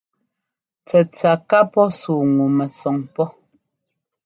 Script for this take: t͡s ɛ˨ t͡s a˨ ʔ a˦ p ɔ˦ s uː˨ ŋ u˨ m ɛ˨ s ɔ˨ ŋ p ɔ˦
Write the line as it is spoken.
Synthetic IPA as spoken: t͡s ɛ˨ t͡s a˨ k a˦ p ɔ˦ s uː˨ ŋ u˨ m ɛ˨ s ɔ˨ ŋ p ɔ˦